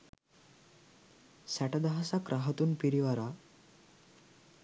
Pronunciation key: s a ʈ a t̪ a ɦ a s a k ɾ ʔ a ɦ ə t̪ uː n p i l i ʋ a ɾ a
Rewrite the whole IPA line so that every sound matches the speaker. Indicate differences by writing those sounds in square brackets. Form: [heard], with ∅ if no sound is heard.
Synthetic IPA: s a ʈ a [d̪] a ɦ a s a k ɾ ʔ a ɦ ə t̪ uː n p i [ɾ] i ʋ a ɾ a